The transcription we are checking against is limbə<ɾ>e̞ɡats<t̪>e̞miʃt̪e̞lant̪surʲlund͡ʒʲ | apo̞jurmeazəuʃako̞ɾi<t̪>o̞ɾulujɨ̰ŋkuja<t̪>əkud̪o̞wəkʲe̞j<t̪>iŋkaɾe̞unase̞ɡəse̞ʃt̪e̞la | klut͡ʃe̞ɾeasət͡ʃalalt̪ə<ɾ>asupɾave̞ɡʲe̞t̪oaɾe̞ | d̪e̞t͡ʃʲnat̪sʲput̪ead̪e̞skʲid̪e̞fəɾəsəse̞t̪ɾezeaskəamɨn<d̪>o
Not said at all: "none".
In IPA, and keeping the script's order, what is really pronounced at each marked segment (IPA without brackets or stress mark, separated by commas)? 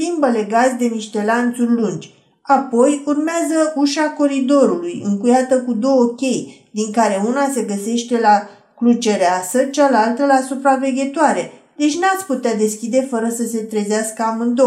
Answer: l, d̪, d̪, t̪, d̪, l, d̪